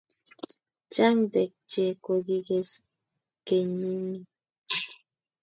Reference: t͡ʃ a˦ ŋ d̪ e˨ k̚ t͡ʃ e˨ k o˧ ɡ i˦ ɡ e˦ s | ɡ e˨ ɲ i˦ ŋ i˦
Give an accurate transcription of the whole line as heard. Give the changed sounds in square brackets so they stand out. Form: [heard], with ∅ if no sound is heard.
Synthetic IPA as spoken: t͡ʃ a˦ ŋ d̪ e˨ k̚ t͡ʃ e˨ k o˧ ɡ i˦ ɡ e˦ s | [k] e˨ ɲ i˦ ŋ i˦